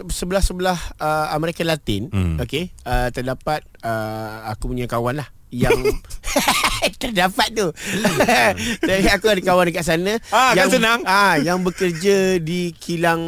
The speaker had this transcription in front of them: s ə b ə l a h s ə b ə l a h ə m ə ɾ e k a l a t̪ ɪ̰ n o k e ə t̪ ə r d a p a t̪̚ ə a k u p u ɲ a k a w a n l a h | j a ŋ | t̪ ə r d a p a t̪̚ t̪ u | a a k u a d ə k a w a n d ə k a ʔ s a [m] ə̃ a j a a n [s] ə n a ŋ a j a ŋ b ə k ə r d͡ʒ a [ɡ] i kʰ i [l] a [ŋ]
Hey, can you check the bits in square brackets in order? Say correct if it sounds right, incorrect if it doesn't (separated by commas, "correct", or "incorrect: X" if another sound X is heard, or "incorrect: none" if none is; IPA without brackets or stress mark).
incorrect: n, correct, incorrect: d, correct, correct